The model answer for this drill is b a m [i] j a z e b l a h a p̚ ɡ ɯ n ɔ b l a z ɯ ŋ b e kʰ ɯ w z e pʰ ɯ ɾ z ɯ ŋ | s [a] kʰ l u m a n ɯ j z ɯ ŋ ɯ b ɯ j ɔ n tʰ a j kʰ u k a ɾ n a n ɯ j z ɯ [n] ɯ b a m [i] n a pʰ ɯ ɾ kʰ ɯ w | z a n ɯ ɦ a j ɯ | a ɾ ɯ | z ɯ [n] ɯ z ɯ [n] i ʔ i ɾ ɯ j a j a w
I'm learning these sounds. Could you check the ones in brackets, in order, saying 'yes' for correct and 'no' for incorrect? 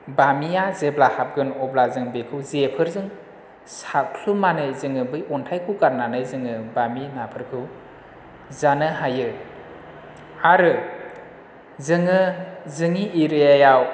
yes, yes, no, yes, no, no

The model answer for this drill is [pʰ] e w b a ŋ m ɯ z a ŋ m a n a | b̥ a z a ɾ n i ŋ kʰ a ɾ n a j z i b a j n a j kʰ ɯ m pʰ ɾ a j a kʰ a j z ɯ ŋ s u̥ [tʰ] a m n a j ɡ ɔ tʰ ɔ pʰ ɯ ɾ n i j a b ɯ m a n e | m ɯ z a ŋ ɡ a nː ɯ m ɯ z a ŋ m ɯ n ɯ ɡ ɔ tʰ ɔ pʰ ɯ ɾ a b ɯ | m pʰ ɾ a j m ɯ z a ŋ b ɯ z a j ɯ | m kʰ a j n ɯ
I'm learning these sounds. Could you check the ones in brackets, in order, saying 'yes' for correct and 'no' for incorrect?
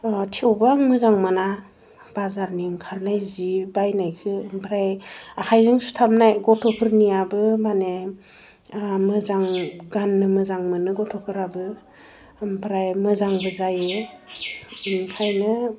no, yes

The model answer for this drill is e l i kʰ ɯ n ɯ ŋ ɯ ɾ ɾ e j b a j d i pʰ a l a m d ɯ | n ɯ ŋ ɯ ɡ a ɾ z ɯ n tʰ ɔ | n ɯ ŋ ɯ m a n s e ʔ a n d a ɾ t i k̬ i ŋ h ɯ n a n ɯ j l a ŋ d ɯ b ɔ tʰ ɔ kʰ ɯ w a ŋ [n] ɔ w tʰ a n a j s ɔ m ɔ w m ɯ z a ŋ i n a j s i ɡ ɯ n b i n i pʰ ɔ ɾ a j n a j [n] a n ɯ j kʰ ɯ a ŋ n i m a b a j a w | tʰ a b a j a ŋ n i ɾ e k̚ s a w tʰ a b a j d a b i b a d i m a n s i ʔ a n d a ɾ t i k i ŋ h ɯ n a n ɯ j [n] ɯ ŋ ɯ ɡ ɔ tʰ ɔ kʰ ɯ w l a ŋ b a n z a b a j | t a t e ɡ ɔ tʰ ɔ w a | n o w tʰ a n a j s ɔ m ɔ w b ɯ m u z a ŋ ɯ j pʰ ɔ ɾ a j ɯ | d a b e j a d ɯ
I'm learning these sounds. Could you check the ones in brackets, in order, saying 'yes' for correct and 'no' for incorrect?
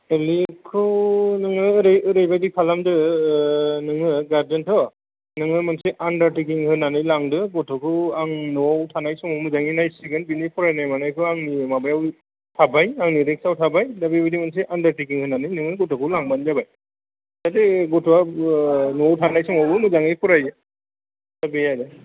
yes, no, yes

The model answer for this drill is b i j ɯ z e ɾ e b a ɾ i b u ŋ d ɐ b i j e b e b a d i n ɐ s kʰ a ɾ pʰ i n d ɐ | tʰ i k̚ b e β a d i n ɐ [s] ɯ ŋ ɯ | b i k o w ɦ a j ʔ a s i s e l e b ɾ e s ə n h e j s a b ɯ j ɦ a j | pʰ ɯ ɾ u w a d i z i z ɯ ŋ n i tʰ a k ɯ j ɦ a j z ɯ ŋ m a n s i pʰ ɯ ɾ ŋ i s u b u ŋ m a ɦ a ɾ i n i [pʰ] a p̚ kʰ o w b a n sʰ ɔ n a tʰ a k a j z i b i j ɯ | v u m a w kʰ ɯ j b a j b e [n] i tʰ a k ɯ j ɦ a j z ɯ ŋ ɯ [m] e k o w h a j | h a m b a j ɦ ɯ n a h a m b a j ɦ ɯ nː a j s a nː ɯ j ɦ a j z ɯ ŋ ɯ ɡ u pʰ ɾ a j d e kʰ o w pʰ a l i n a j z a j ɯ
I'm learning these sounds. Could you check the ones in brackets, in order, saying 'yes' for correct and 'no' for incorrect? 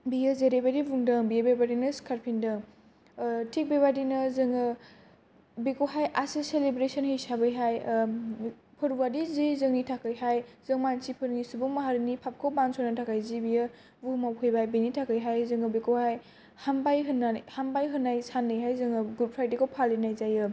no, yes, yes, no

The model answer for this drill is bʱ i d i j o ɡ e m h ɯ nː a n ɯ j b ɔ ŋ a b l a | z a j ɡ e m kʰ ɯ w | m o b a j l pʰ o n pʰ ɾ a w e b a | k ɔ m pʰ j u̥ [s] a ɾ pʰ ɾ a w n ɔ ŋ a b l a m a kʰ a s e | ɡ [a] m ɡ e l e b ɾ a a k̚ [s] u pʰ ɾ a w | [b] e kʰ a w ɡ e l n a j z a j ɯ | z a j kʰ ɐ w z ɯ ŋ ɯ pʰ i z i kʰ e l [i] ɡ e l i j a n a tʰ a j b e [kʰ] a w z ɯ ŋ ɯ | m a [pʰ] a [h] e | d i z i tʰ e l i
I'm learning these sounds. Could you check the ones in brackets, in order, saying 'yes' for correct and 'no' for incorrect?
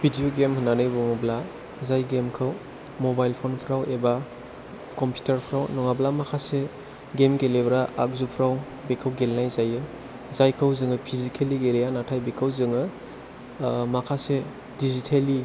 no, no, no, yes, yes, yes, no, no

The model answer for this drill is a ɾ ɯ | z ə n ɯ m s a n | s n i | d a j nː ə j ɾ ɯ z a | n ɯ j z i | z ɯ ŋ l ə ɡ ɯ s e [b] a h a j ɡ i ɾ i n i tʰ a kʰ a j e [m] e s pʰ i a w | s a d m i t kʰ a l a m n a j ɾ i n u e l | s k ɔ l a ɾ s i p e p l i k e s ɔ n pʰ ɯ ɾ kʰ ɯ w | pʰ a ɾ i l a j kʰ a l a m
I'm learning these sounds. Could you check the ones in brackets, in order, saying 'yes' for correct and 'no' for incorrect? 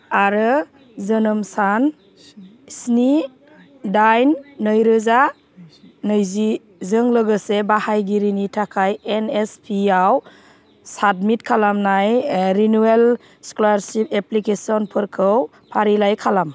yes, no

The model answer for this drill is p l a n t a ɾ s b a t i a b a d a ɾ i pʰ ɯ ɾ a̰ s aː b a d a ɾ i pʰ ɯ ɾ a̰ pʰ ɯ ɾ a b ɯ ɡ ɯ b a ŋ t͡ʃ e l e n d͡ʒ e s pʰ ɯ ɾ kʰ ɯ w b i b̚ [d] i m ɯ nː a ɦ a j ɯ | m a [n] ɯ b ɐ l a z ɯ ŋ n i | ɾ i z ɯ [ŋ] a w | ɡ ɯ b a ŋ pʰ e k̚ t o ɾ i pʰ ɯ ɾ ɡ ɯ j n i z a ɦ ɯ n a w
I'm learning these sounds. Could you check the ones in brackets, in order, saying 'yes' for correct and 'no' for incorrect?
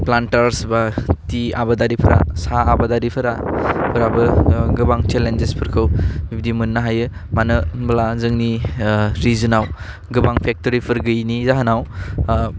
yes, yes, no

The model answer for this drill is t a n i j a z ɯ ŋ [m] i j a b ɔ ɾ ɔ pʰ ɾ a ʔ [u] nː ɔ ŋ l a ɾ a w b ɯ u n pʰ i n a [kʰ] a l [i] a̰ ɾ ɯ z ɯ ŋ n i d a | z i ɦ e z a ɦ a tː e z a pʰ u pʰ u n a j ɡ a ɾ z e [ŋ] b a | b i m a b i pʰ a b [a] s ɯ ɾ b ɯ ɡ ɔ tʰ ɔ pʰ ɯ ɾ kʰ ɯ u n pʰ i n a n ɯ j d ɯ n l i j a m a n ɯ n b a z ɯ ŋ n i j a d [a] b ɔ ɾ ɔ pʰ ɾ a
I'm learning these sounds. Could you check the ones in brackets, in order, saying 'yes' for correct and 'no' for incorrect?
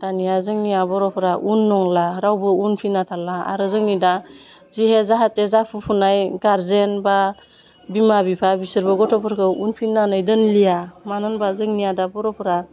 no, yes, no, no, no, no, yes

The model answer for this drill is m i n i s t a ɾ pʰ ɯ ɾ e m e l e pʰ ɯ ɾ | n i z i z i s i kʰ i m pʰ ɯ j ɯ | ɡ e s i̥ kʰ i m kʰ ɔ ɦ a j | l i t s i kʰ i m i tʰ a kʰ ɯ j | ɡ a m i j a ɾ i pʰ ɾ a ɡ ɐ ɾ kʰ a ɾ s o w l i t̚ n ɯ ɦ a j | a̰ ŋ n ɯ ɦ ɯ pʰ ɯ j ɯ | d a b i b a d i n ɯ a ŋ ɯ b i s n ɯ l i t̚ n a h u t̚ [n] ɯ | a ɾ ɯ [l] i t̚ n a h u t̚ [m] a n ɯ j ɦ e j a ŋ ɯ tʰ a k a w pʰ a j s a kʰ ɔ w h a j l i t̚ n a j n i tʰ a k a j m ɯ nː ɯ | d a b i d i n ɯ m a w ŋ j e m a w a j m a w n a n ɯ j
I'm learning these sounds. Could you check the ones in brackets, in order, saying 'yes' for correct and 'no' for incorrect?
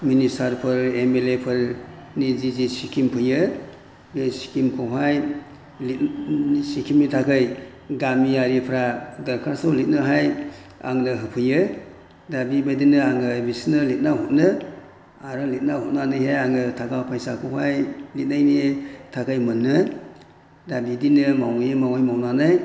yes, yes, no

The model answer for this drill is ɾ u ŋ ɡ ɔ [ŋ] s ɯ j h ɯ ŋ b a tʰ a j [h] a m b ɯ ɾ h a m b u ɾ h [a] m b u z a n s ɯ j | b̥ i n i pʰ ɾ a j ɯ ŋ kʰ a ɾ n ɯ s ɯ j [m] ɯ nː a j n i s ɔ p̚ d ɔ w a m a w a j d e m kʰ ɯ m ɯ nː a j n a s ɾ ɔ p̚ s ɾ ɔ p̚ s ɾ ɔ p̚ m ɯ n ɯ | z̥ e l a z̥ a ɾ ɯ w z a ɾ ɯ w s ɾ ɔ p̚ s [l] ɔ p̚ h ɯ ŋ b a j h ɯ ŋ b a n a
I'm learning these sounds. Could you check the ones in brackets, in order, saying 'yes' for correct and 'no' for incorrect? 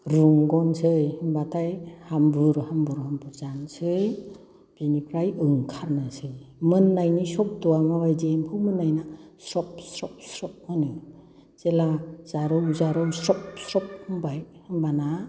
no, yes, yes, yes, no

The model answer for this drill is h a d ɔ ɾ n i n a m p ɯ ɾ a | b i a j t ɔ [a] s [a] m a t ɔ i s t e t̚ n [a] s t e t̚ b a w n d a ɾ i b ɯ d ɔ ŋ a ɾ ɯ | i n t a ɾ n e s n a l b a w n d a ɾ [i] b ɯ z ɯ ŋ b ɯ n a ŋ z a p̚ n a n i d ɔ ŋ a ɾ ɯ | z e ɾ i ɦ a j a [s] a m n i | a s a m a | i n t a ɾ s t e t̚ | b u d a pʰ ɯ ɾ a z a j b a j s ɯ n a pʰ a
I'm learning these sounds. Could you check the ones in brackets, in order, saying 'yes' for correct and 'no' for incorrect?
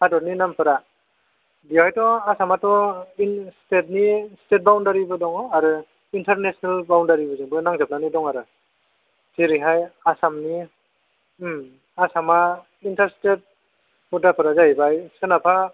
yes, yes, no, yes, yes

